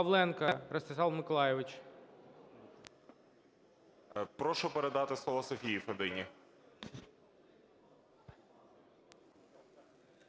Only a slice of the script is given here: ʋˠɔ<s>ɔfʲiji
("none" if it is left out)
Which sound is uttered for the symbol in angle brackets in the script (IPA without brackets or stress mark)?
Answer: s